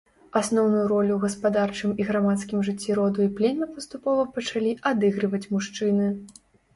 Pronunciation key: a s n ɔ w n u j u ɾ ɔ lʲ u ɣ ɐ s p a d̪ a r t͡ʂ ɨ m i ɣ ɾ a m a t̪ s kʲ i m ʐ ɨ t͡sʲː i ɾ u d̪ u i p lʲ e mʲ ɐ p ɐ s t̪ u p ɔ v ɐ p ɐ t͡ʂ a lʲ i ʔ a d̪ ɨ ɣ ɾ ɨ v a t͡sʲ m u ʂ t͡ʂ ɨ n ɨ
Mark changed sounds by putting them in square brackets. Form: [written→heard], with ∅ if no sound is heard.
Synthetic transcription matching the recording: a s n ɔ w n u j u ɾ ɔ lʲ u ɣ ɐ s p a d̪ a r t͡ʂ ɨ m i ɣ ɾ a m a t̪ s kʲ i m ʐ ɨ t͡sʲː i ɾ [u→ɔ] d̪ u i p lʲ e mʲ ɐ p ɐ s t̪ u p ɔ v ɐ p ɐ t͡ʂ a lʲ i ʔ a d̪ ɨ ɣ ɾ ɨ v [a→ɐ] t͡sʲ m u ʂ t͡ʂ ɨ n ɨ

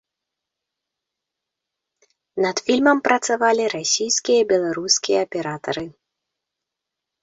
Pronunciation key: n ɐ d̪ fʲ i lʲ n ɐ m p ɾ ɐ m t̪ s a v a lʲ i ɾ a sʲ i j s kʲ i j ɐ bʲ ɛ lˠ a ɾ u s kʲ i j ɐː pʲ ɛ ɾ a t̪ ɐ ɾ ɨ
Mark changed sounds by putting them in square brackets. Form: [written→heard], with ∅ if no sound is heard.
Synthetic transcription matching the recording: n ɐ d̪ fʲ i lʲ [n→m] ɐ m p ɾ ɐ [m→∅] t̪ s a v a lʲ i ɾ a sʲ i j s kʲ i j ɐ bʲ ɛ lˠ a ɾ u s kʲ i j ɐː pʲ ɛ ɾ a t̪ ɐ ɾ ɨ

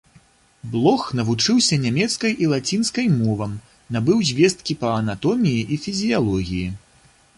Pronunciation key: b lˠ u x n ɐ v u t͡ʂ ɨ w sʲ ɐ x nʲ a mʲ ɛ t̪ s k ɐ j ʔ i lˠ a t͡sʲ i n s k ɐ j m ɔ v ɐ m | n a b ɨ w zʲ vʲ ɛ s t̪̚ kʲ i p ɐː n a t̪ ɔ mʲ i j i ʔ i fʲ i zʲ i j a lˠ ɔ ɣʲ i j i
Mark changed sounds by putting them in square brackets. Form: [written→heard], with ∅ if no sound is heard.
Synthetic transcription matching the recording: b lˠ [u→ɔ] x n ɐ v u t͡ʂ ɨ w sʲ ɐ [x→∅] nʲ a mʲ ɛ t̪ s k ɐ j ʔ i lˠ a t͡sʲ i n s k ɐ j m ɔ v ɐ m | n a b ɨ w zʲ vʲ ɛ s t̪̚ kʲ i p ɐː n a t̪ ɔ mʲ i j i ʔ i fʲ i zʲ i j a lˠ ɔ ɣʲ i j i

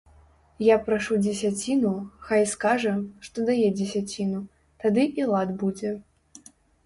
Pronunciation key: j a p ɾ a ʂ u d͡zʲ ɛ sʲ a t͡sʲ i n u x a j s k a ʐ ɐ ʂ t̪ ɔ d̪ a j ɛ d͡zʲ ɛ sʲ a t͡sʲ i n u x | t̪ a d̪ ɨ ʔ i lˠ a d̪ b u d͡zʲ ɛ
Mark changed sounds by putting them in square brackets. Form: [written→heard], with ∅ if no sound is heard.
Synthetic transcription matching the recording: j a p ɾ a ʂ u d͡zʲ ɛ sʲ a t͡sʲ i n u x a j s k a ʐ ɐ ʂ t̪ ɔ d̪ a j ɛ d͡zʲ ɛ sʲ a t͡sʲ i n u [x→∅] | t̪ a d̪ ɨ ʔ i lˠ a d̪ b u d͡zʲ ɛ

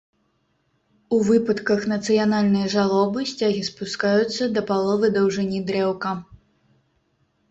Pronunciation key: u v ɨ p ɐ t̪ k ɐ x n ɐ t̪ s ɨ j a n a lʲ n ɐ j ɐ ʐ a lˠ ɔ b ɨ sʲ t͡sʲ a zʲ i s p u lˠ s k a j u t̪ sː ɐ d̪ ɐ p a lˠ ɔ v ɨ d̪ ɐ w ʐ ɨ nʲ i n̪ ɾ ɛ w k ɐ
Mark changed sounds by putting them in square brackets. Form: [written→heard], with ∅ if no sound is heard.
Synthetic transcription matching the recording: u v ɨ p ɐ t̪ k ɐ x n ɐ t̪ s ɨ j a n a lʲ n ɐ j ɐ ʐ a lˠ ɔ b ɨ sʲ t͡sʲ a [zʲ→ɣʲ] i s p u [lˠ→∅] s k a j u t̪ sː ɐ d̪ ɐ p a lˠ ɔ v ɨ d̪ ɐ w ʐ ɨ nʲ i [n̪→d̪] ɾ ɛ w k ɐ

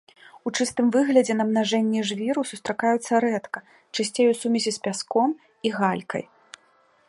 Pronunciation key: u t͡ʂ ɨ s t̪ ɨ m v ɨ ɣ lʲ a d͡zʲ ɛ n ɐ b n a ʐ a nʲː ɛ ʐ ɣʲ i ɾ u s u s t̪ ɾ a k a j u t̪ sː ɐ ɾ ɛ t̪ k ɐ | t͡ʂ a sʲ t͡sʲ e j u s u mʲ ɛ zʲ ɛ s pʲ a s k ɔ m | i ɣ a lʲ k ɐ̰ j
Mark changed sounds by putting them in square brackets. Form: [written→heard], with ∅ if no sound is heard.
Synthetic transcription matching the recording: u t͡ʂ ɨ s t̪ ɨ m v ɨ ɣ lʲ [a→ɐ] d͡zʲ ɛ n ɐ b n a ʐ [a→ɛ] nʲː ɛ ʐ [ɣʲ→vʲ] i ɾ u s u s t̪ ɾ a k a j u t̪ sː ɐ ɾ ɛ t̪ k ɐ | t͡ʂ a sʲ t͡sʲ e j u s u mʲ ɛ zʲ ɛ s pʲ a s k ɔ m | i ɣ a lʲ k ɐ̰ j

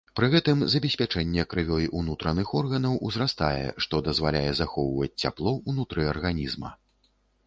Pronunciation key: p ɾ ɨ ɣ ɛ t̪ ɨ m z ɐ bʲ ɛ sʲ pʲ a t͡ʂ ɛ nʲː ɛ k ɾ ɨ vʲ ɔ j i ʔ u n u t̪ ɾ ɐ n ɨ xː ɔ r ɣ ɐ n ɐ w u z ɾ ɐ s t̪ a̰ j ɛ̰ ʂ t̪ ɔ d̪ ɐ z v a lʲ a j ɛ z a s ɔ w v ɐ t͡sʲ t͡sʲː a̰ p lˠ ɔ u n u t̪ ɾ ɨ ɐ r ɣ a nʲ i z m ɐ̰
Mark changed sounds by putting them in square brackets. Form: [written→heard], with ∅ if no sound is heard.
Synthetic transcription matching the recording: p ɾ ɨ ɣ ɛ t̪ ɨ m z ɐ bʲ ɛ sʲ pʲ a t͡ʂ ɛ nʲː ɛ k ɾ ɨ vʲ ɔ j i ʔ u n u t̪ ɾ ɐ n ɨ [xː→x] ɔ r ɣ ɐ n ɐ w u z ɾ [ɐ→a] s t̪ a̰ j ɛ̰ ʂ t̪ ɔ d̪ ɐ z v a lʲ a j ɛ z a [s→x] ɔ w v ɐ t͡sʲ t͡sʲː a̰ p lˠ ɔ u n u t̪ ɾ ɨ ɐ r ɣ a nʲ i z m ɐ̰

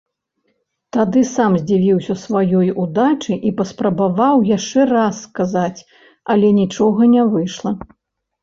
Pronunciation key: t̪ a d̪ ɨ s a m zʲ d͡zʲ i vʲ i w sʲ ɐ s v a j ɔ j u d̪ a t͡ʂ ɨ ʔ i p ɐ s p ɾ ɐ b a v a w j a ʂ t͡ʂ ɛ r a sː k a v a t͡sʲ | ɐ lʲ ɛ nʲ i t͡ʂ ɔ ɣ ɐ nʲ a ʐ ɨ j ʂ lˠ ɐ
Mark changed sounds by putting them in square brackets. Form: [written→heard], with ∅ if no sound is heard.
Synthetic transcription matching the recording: t̪ a d̪ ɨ s a m zʲ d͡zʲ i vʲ i w sʲ ɐ s v a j ɔ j u d̪ a t͡ʂ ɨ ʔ i p ɐ s p ɾ ɐ b a v a w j a ʂ t͡ʂ ɛ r a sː k a [v→z] a t͡sʲ | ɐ lʲ ɛ nʲ i t͡ʂ ɔ ɣ ɐ nʲ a [ʐ→v] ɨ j ʂ lˠ ɐ

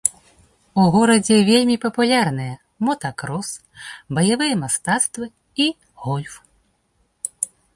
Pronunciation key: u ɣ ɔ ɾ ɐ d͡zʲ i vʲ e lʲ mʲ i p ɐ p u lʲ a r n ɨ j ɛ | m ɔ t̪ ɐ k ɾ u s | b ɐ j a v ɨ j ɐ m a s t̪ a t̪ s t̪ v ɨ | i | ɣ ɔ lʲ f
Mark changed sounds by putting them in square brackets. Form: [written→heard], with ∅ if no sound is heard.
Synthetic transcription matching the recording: u ɣ ɔ ɾ ɐ d͡zʲ [i→ɛ] vʲ e lʲ mʲ i p ɐ p u lʲ a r n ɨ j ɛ | m ɔ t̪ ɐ k ɾ [u→ɔ] s | b ɐ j a v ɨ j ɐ m a s t̪ a t̪ s t̪ v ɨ | i | ɣ ɔ lʲ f

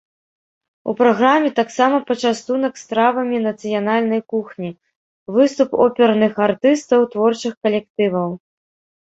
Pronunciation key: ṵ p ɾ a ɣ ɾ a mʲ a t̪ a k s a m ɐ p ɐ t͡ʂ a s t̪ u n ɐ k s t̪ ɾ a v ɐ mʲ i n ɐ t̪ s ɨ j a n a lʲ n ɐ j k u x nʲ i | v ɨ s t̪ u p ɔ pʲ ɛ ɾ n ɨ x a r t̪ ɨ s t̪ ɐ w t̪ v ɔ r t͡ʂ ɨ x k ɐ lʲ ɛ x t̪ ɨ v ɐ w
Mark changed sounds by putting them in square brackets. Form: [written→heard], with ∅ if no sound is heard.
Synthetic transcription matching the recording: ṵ p ɾ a ɣ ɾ a mʲ [a→ɛ] t̪ a k s a m ɐ p ɐ t͡ʂ a s t̪ u n ɐ k s t̪ ɾ a v ɐ mʲ i n ɐ t̪ s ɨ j a n a lʲ n ɐ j k u x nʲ i | v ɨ s t̪ u p ɔ pʲ ɛ ɾ n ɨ x a r t̪ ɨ s t̪ ɐ w t̪ v ɔ r t͡ʂ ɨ x k ɐ lʲ ɛ [x→k] t̪ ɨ v ɐ w

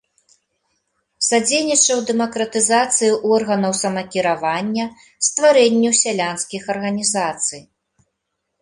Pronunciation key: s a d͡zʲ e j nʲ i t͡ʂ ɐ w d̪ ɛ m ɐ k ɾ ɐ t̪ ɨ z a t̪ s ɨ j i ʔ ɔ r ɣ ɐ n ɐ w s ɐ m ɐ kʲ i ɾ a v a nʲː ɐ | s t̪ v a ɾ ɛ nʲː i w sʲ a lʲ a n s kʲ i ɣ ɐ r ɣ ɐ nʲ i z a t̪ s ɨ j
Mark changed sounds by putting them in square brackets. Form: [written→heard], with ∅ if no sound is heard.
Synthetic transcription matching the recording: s a d͡zʲ e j nʲ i t͡ʂ ɐ w d̪ ɛ m ɐ k ɾ ɐ t̪ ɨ z a t̪ s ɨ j i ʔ ɔ r ɣ ɐ n ɐ w s ɐ m ɐ kʲ i ɾ a v a nʲː ɐ | s t̪ v a ɾ ɛ nʲː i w sʲ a lʲ a n s kʲ i [ɣ→x] ɐ r ɣ ɐ nʲ i z a t̪ s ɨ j

